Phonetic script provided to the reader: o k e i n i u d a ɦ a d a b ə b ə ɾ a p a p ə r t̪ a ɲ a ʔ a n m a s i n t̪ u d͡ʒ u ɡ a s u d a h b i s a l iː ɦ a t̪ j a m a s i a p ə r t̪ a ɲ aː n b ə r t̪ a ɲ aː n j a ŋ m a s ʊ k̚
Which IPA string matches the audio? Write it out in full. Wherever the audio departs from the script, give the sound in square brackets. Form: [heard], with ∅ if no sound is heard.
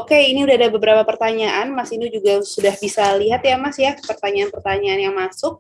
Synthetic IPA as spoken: o k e i n i u d a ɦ a d a b ə b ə ɾ a p a p ə r t̪ a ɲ a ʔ a n m a s i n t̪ u d͡ʒ u ɡ a s u d a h b i s a l [i] ɦ a t̪ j a m a s [j] a p ə r t̪ a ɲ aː n [p] ə r t̪ a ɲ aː n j a ŋ m a s ʊ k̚

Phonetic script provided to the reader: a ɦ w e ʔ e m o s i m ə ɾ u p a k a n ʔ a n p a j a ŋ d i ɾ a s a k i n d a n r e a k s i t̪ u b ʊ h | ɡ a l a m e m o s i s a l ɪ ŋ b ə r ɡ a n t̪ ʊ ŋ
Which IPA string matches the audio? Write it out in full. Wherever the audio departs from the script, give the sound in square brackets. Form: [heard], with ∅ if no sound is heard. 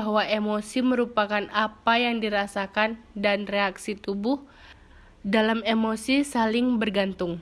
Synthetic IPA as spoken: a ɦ w [a] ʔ e m o s i m ə ɾ u p a k a n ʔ a [∅] p a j a ŋ d i ɾ a s a k [a] n d a n r e a k s i t̪ u b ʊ h | [d] a l a m e m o s i s a l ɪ ŋ b ə r ɡ a n t̪ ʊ ŋ

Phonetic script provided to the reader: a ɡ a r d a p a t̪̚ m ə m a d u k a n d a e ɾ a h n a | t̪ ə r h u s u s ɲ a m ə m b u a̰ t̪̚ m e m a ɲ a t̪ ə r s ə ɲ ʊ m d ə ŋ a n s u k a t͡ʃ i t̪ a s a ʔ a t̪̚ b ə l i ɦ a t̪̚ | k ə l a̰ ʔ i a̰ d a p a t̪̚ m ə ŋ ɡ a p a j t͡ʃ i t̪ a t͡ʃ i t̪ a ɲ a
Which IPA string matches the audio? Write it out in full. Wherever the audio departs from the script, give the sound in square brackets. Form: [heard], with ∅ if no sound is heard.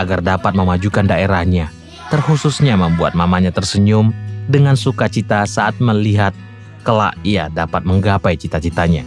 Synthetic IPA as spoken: a ɡ a r d a p a t̪̚ m ə m a [d͡ʒ] u k a n d a e ɾ a h [ɲ] a | t̪ ə r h u s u s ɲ a m ə m b u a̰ t̪̚ m [a] m a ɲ a t̪ ə r s ə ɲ ʊ m d ə ŋ a n s u k a t͡ʃ i t̪ a s a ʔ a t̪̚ [m] ə l i ɦ a t̪̚ | k ə l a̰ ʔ i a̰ d a p a t̪̚ m ə ŋ ɡ a p a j t͡ʃ i t̪ a t͡ʃ i t̪ a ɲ a

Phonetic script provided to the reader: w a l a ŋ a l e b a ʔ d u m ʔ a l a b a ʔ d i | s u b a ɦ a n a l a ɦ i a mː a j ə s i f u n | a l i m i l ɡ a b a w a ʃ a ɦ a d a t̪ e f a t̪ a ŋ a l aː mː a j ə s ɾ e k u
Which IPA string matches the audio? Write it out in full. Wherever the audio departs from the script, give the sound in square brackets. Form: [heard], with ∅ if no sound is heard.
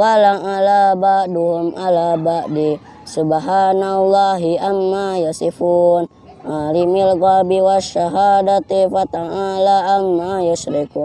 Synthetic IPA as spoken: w a l a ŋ a l [a] b a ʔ d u m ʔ a l a b a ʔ d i | s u b a ɦ a n a l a ɦ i a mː a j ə s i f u n | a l i m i l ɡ a b [i] w a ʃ a ɦ a d a t̪ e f a t̪ a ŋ a l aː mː a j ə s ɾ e k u

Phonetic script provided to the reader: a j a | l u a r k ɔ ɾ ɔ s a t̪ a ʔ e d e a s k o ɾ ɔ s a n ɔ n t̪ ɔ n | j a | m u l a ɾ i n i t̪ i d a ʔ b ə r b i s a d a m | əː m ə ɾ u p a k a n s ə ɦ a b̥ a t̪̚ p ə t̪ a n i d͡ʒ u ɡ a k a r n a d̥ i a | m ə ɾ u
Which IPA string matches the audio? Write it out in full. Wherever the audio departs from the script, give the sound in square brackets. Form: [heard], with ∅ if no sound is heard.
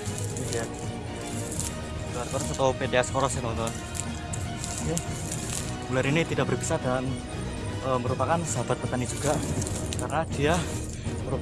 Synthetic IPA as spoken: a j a | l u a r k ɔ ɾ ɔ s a t̪ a [p] e d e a s k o ɾ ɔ s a n ɔ n t̪ ɔ n | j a | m u l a ɾ i n i t̪ i d a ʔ b ə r b i s a d a [n] | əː m ə ɾ u p a k a n s ə ɦ a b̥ a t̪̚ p ə t̪ a n i d͡ʒ u ɡ a k a r n a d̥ i a | m ə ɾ u

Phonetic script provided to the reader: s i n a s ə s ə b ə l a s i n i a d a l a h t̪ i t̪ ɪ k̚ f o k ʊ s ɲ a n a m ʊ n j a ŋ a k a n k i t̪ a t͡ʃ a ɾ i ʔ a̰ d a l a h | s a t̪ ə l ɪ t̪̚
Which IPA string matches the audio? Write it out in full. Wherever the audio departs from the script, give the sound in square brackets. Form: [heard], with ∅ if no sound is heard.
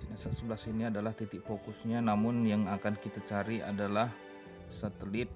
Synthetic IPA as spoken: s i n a s [a] s ə b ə l a s i n i a d a l a h t̪ i t̪ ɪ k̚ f o k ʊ s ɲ a n a m ʊ n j a ŋ a k a n k i t̪ a t͡ʃ a ɾ i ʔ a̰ d a l a h | s a t̪ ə l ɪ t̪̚

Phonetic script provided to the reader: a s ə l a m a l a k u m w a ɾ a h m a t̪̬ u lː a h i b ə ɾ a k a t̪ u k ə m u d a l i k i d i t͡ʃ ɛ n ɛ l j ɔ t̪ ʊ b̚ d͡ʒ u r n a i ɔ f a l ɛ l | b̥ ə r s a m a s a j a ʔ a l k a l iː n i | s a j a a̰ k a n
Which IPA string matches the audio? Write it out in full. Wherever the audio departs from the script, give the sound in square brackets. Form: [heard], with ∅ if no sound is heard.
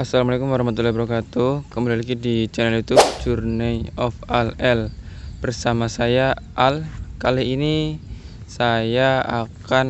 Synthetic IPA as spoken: a s [a] l a m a l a k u m w a ɾ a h m a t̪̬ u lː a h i b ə ɾ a k a t̪ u k ə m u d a l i k i d i t͡ʃ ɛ n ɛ l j [u] t̪ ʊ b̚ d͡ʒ u r n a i ɔ f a l ɛ l | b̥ ə r s a m a s a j a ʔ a l k a l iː n i | s a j a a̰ k a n

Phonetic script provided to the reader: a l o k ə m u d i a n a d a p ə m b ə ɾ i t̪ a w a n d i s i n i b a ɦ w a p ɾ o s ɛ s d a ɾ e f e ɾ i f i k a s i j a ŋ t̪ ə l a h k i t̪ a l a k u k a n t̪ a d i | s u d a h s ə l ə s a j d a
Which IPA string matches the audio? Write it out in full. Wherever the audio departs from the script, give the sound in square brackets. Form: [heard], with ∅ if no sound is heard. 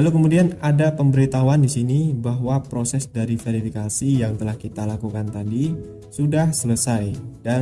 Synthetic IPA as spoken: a l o k ə m u d i a n a d a p ə m b ə ɾ i t̪ a w a n d i s i n i b a ɦ w a p ɾ o s ɛ s d a ɾ [i] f e ɾ i f i k a s i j a ŋ t̪ ə l a h k i t̪ a l a k u k a n t̪ a d i | s u d a h s ə l ə s a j d a

